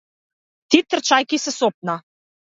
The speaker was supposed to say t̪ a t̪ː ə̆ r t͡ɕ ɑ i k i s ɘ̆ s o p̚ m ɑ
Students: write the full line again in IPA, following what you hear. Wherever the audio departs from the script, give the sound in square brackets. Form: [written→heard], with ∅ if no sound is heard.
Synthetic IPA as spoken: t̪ [a→i] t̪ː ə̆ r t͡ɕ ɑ [i→j] k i s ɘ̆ s o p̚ [m→n] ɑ